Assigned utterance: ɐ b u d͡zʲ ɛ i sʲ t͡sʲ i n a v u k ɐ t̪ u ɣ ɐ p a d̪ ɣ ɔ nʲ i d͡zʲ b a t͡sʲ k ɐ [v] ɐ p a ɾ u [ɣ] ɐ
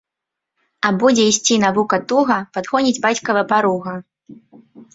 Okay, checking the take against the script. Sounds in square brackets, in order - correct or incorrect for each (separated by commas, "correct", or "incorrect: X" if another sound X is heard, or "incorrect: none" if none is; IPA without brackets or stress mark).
correct, correct